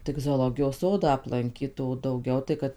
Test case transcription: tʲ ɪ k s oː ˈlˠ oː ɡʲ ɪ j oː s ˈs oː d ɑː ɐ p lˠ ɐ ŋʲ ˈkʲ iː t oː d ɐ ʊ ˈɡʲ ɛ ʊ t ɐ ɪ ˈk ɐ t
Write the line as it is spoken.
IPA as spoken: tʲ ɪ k z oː ˈlˠ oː ɡʲ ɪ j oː s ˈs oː d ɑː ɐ p lˠ ɐ ŋʲ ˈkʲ iː t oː d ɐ ʊ ˈɡʲ ɛ ʊ t ɐ ɪ ˈk ɐ t